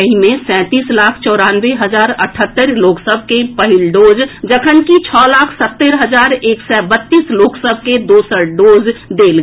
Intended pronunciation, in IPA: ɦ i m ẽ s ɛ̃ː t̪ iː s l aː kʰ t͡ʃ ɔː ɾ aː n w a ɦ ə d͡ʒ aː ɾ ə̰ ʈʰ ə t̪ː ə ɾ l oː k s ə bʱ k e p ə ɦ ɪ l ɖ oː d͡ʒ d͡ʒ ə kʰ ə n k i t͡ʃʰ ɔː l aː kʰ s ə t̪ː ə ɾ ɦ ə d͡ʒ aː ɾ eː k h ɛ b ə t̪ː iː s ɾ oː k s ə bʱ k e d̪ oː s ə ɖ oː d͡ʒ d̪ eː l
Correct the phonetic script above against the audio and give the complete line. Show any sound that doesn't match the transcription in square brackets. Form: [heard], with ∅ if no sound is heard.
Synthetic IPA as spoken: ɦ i m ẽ s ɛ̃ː t̪ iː s l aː kʰ t͡ʃ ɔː ɾ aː n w [e] ɦ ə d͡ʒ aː ɾ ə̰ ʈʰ ə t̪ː ə ɾ l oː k s ə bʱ k e p ə ɦ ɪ l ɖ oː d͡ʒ d͡ʒ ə kʰ ə n k i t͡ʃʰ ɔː l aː kʰ s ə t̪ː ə ɾ ɦ ə d͡ʒ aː ɾ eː k [s] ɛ b ə t̪ː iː s [l] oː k s ə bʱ k e d̪ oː s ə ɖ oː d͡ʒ d̪ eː l

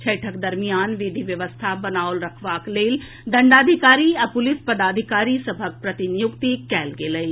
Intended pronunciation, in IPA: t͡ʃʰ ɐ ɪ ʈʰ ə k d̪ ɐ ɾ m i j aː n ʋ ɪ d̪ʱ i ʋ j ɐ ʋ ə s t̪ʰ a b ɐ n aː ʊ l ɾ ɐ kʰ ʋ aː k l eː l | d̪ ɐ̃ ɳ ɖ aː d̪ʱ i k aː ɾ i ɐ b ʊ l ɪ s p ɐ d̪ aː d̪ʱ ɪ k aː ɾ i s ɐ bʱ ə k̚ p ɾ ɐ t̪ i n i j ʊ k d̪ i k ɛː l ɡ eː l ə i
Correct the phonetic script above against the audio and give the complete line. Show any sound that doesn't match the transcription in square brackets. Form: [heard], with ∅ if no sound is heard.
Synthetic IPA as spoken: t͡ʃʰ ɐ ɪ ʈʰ ə k d̪ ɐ ɾ m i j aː n ʋ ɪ d̪ʱ i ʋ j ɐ ʋ ə s t̪ʰ a b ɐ n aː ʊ l ɾ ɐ kʰ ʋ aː k l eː l | d̪ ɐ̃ ɳ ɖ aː d̪ʱ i k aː ɾ i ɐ [p] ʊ l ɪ s p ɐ d̪ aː d̪ʱ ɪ k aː ɾ i s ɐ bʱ ə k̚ p ɾ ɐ t̪ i n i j ʊ k [t̪] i k ɛː l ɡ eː l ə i

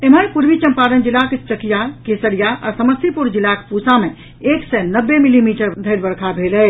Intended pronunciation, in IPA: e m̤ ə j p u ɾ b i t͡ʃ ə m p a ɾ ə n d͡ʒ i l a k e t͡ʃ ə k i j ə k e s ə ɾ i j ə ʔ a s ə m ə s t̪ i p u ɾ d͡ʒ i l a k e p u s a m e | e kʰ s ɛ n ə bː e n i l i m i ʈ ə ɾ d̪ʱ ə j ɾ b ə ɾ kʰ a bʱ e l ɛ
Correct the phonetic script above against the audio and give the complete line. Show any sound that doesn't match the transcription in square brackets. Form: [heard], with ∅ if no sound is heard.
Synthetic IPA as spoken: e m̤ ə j p u ɾ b i t͡ʃ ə m p a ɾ ə n d͡ʒ i l a k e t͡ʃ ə k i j [a] k e s ə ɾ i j [a] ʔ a s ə m ə s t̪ i p u ɾ d͡ʒ i l a k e p u s a m e | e [k] s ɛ n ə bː e [m] i l i m i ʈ ə ɾ d̪ʱ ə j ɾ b ə ɾ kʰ a bʱ e l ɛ

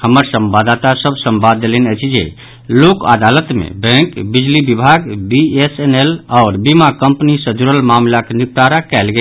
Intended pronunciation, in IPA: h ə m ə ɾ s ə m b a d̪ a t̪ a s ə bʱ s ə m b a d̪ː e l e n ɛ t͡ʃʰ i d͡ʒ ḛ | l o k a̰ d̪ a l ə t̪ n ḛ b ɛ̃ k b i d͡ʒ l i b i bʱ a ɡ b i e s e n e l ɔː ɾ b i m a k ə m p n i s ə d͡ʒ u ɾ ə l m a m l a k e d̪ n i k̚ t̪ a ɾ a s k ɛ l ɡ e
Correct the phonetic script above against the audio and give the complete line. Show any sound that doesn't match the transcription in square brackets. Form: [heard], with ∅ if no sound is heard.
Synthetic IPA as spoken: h ə m ə ɾ s ə m b a d̪ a t̪ a s ə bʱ s ə m b a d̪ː e l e n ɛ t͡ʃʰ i d͡ʒ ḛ | l o k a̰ d̪ a l ə t̪ [m] ḛ b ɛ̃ k b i d͡ʒ l i b i bʱ a ɡ b i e s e n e l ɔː ɾ b i m a k ə m p n i s ə d͡ʒ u ɾ ə l m a m l a k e [∅] n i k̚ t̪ a ɾ a [∅] k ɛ l ɡ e

